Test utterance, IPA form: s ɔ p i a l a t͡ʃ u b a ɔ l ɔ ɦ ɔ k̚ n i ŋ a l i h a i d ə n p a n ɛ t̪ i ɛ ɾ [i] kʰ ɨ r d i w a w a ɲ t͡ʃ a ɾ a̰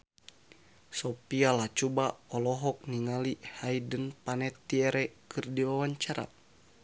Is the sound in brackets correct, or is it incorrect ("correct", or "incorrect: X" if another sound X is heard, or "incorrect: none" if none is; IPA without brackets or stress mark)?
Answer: incorrect: ɛ